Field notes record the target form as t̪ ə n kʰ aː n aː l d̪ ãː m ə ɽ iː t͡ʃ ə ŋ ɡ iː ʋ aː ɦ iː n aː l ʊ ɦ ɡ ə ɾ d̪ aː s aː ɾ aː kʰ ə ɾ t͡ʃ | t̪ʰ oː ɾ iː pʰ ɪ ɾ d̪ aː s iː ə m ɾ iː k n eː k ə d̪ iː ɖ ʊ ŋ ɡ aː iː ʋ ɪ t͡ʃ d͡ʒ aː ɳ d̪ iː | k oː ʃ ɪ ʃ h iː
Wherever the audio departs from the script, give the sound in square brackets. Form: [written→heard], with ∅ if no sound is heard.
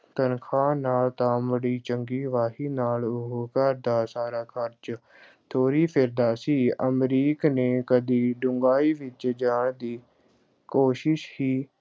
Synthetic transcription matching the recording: t̪ ə n kʰ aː n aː l [d̪→t̪] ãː m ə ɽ iː t͡ʃ ə ŋ ɡ iː ʋ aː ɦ iː n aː l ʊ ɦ [ɡ→k] ə ɾ d̪ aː s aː ɾ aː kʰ ə ɾ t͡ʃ | t̪ʰ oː ɾ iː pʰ ɪ ɾ d̪ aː s iː ə m ɾ iː k n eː k ə d̪ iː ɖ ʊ ŋ ɡ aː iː ʋ ɪ t͡ʃ d͡ʒ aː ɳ d̪ iː | k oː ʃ ɪ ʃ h iː